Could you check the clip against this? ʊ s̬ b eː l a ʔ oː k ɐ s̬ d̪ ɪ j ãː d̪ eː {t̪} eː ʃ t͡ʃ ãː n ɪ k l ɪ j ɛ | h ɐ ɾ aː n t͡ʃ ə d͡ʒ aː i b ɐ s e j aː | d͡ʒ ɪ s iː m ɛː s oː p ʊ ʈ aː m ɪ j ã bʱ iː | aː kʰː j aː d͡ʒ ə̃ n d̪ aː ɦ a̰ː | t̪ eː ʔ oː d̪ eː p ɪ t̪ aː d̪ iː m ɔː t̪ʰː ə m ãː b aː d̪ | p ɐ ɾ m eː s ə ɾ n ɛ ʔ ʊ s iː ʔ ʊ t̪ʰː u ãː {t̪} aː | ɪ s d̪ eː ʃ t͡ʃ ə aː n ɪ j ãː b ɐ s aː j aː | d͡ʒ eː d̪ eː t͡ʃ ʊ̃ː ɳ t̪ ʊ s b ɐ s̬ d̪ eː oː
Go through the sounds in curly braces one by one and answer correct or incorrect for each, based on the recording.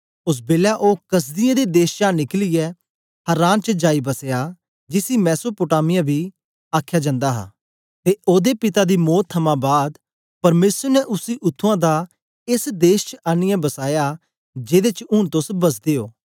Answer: incorrect, incorrect

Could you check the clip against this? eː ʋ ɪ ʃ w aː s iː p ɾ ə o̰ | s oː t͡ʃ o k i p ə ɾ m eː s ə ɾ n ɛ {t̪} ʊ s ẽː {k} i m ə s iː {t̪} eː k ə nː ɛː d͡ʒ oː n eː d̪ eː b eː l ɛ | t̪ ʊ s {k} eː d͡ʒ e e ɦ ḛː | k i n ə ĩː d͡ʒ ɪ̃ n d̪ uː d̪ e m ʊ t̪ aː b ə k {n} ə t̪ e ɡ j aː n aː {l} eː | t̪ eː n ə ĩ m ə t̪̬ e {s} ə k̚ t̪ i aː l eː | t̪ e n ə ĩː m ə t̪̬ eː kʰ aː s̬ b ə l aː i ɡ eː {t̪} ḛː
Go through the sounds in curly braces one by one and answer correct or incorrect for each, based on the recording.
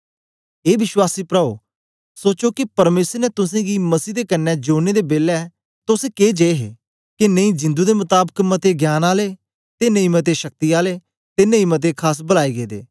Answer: correct, incorrect, incorrect, correct, incorrect, correct, incorrect, incorrect

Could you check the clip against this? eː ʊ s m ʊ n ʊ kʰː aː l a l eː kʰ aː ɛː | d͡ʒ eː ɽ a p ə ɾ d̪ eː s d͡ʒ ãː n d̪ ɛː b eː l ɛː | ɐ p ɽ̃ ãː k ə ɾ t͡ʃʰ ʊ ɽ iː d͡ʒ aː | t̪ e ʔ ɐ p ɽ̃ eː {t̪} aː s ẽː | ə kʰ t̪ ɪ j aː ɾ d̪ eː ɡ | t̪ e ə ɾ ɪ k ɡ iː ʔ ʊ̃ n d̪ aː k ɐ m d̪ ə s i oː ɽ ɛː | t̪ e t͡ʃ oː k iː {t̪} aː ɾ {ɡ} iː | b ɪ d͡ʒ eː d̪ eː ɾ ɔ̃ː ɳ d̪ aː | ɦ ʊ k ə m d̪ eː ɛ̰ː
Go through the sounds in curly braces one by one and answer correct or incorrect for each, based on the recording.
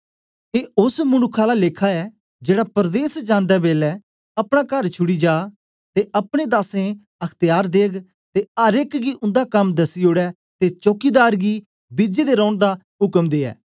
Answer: incorrect, incorrect, correct

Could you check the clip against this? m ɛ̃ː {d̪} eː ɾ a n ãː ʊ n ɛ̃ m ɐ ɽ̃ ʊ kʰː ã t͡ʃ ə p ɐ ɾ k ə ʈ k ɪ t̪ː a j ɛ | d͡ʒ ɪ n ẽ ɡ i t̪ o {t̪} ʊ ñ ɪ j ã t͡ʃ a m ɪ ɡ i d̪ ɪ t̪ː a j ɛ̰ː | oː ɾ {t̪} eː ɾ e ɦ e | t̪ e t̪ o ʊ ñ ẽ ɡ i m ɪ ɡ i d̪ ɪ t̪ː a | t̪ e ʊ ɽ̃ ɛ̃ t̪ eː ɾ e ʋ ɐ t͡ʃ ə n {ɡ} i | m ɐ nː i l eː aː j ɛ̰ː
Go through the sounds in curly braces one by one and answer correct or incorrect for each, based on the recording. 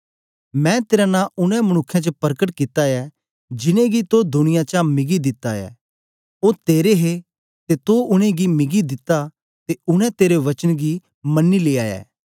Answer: incorrect, incorrect, correct, correct

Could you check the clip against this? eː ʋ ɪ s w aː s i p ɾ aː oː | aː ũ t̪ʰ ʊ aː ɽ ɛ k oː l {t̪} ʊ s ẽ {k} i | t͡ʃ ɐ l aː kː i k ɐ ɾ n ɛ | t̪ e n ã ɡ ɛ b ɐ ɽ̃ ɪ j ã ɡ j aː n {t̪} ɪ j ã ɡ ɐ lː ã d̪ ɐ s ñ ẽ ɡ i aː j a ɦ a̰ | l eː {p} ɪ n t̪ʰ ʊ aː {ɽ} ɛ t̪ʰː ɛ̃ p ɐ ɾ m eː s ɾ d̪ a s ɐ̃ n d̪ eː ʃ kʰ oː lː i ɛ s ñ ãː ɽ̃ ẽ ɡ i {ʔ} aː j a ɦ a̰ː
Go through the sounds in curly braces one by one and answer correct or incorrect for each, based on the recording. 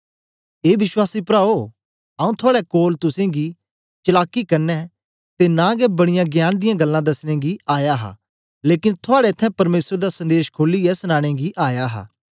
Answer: correct, incorrect, incorrect, incorrect, correct, correct

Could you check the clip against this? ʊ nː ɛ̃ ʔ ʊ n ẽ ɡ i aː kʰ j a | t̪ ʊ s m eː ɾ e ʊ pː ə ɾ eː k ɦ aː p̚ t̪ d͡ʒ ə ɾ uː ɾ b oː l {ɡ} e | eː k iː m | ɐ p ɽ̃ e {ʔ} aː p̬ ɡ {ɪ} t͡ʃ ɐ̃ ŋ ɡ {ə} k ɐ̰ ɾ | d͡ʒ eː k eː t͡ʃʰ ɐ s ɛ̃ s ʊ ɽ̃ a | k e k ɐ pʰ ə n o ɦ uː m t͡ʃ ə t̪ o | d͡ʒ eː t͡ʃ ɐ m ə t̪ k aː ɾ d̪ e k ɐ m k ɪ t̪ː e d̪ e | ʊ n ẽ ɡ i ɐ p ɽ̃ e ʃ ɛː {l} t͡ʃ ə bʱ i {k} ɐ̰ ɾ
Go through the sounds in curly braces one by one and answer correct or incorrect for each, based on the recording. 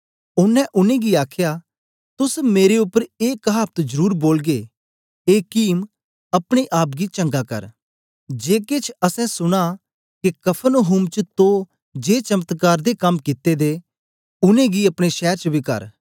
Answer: correct, correct, incorrect, incorrect, incorrect, correct

